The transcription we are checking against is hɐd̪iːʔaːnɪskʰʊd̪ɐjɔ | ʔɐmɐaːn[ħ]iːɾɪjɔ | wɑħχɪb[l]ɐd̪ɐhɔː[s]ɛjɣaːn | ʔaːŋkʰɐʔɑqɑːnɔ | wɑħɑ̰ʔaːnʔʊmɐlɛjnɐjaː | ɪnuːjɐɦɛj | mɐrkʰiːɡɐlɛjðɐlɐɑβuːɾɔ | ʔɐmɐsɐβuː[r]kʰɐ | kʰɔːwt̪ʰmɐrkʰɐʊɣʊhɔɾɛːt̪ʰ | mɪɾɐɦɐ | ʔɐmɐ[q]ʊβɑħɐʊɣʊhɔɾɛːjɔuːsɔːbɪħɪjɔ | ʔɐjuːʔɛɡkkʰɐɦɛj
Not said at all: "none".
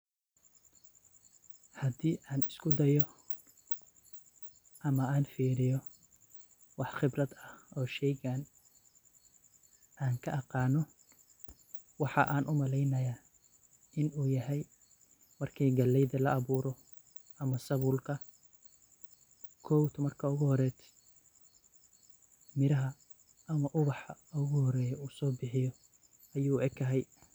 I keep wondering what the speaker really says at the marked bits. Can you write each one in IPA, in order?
f, r, ʃ, l, ʔ

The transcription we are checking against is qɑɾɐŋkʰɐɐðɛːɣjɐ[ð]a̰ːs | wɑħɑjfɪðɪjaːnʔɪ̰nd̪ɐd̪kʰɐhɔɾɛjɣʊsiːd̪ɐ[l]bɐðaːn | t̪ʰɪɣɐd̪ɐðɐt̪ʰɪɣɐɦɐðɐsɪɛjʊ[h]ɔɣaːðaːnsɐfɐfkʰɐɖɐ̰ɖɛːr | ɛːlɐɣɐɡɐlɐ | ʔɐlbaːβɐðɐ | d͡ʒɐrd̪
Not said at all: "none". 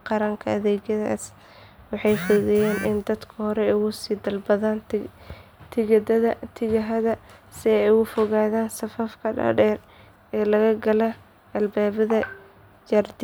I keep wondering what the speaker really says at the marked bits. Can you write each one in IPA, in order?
ð, l, f

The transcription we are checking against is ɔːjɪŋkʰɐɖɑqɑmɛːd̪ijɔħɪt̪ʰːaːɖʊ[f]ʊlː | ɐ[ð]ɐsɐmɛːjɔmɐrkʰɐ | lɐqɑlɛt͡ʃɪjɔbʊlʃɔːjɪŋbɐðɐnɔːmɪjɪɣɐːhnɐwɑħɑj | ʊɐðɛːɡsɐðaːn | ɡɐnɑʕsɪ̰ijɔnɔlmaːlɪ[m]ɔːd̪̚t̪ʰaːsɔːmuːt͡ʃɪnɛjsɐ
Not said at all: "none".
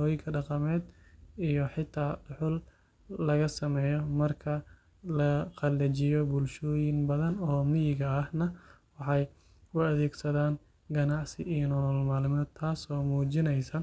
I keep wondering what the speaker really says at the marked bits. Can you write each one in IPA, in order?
ħ, ɣ, m

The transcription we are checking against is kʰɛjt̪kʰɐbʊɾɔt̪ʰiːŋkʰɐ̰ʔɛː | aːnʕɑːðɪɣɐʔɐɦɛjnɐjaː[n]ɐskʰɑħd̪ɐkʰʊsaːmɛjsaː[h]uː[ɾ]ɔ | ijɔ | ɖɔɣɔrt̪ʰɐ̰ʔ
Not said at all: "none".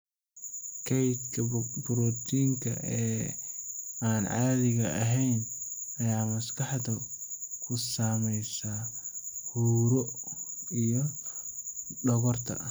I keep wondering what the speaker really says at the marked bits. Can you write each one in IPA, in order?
m, h, ɾ

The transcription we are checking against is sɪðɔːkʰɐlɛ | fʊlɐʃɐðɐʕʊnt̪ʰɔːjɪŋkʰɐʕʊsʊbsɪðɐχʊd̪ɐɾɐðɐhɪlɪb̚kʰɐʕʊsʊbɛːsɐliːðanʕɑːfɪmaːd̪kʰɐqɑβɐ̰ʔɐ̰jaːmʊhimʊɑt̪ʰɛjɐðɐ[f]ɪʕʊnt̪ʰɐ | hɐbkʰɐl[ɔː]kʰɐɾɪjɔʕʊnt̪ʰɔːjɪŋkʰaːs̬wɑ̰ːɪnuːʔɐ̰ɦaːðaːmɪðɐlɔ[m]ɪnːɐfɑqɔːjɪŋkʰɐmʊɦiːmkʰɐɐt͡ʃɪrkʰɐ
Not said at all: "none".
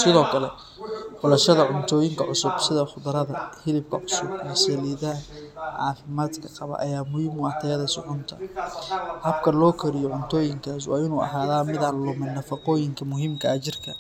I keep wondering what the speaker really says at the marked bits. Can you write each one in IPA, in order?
s, ɔː, m

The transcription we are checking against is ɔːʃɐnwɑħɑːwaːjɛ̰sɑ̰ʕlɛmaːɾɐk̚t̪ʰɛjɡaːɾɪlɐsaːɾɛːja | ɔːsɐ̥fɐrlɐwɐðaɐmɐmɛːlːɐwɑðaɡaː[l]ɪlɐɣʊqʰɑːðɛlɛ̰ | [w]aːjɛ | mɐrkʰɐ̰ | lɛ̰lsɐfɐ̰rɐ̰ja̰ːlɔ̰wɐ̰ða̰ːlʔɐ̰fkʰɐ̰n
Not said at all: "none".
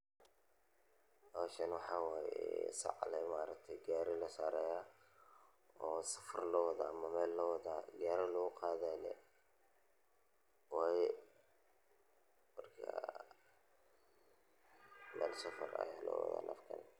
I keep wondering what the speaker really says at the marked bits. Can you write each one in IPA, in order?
ɾ, w

